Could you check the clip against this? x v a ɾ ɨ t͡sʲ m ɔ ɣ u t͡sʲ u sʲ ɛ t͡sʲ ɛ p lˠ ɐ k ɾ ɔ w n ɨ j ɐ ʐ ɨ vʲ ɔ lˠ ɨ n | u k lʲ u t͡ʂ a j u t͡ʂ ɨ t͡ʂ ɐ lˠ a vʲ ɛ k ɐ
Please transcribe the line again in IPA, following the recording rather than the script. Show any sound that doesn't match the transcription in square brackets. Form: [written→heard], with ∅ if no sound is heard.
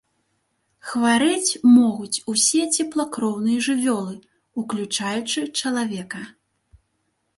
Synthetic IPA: x v a ɾ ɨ t͡sʲ m ɔ ɣ u t͡sʲ u sʲ ɛ t͡sʲ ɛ p lˠ ɐ k ɾ ɔ w n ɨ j ɐ ʐ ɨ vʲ ɔ lˠ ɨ [n→∅] | u k lʲ u t͡ʂ a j u t͡ʂ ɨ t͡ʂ ɐ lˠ a vʲ ɛ k ɐ

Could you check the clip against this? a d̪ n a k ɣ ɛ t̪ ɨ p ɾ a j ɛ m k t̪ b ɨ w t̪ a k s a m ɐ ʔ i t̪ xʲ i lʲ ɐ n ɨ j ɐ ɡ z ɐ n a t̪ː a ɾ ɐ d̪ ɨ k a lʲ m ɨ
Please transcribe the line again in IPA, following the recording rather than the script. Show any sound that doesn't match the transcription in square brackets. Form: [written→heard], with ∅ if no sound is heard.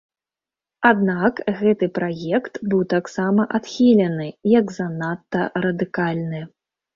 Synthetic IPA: a d̪ n a k ɣ ɛ t̪ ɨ p ɾ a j ɛ [m→∅] k t̪ b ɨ w t̪ a k s a m ɐ ʔ [i→a] t̪ xʲ i lʲ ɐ n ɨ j ɐ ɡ z ɐ n a t̪ː [a→ɐ] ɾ ɐ d̪ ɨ k a lʲ [m→n] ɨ

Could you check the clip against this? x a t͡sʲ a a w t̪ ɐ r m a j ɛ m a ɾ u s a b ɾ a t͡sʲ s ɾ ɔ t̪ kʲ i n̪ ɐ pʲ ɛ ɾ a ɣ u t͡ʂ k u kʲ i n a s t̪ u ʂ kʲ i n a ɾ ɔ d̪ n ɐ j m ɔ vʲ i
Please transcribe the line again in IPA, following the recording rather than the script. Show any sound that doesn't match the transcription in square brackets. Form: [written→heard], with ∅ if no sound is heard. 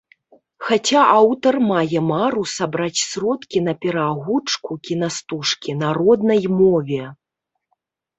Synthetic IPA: x a t͡sʲ a a w t̪ ɐ r m a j ɛ m a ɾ u s a b ɾ a t͡sʲ s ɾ ɔ t̪ kʲ i n̪ ɐ pʲ ɛ ɾ a ɣ u t͡ʂ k u kʲ i n a s t̪ u ʂ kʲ i n a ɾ ɔ d̪ n ɐ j m ɔ vʲ [i→ɛ]

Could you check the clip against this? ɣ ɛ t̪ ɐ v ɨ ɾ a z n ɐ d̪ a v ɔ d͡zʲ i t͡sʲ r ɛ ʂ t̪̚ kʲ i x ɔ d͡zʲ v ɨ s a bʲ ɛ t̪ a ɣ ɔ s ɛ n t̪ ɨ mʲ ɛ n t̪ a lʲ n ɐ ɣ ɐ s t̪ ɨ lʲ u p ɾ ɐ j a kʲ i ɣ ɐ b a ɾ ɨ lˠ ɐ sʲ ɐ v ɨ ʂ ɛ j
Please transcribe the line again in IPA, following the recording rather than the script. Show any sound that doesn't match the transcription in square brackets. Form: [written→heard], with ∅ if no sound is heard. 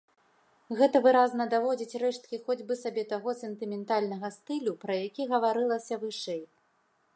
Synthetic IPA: ɣ ɛ t̪ ɐ v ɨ ɾ a z n ɐ d̪ a v ɔ d͡zʲ i t͡sʲ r ɛ ʂ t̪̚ kʲ i x ɔ d͡zʲ [v→b] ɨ s a bʲ ɛ t̪ a ɣ ɔ s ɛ n t̪ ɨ mʲ ɛ n t̪ a lʲ n ɐ ɣ ɐ s t̪ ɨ lʲ u p ɾ ɐ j a kʲ i ɣ ɐ [b→v] a ɾ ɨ lˠ ɐ sʲ ɐ v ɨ ʂ ɛ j

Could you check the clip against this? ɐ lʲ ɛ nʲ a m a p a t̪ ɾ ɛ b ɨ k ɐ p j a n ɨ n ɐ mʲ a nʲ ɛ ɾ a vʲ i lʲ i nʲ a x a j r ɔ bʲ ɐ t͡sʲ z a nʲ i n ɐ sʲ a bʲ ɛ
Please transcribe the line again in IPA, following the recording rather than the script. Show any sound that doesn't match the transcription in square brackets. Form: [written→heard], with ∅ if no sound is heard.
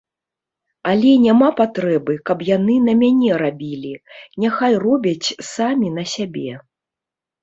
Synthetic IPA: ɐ lʲ ɛ nʲ a m a p a t̪ ɾ ɛ b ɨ k ɐ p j a n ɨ n ɐ mʲ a nʲ ɛ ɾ a [vʲ→bʲ] i lʲ i nʲ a x a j r ɔ bʲ ɐ t͡sʲ [z→s] a [nʲ→mʲ] i n ɐ sʲ a bʲ ɛ

